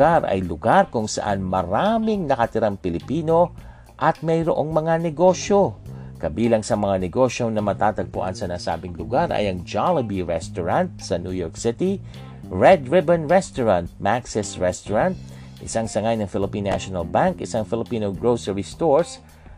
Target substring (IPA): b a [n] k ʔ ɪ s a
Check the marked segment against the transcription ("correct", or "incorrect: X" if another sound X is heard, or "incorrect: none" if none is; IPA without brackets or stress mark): incorrect: ŋ